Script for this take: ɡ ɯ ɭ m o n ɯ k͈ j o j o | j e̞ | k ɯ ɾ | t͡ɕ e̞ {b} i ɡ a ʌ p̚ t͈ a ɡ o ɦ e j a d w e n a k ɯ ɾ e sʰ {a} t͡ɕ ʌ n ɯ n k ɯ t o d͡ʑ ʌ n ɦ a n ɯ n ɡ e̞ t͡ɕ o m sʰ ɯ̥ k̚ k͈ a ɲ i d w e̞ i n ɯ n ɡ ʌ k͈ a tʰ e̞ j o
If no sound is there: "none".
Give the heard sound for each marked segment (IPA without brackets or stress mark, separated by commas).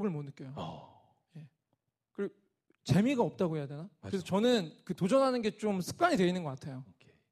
m, ʌ